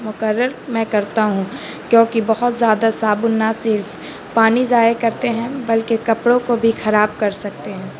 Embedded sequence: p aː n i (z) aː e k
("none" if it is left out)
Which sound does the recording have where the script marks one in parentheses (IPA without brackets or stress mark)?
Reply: z